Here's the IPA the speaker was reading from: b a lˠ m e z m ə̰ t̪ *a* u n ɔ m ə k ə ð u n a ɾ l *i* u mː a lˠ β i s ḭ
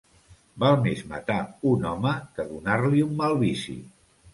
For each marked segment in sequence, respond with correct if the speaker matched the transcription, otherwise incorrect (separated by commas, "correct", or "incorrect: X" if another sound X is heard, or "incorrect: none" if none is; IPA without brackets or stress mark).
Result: correct, correct